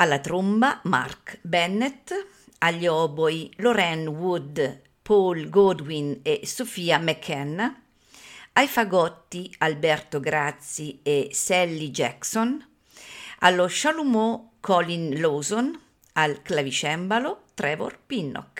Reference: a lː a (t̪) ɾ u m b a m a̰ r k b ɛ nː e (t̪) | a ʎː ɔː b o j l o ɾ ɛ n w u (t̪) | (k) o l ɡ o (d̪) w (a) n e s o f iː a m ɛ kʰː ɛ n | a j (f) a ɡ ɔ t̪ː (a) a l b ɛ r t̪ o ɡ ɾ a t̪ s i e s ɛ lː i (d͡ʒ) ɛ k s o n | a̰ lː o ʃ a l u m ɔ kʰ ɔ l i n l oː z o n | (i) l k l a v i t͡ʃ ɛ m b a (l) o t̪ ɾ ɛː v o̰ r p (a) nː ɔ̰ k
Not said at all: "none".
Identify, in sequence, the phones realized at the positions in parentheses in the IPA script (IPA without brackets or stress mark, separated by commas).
t̪, t̪, d̪, p, d̪, i, f, i, d͡ʒ, a, l, i